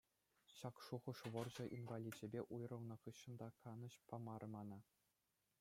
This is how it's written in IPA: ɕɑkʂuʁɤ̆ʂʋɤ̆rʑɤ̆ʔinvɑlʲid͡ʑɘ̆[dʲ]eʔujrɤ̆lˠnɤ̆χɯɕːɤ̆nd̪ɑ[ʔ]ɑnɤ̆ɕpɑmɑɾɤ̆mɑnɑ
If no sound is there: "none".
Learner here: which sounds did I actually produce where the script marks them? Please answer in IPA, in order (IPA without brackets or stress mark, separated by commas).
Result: bʲ, k